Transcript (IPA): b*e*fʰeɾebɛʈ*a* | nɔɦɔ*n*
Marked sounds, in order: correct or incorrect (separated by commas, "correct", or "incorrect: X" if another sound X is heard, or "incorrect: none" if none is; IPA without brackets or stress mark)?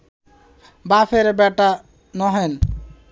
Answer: incorrect: a, correct, correct